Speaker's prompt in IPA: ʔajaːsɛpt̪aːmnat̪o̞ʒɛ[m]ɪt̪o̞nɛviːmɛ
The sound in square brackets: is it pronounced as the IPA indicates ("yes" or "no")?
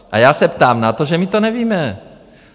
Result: yes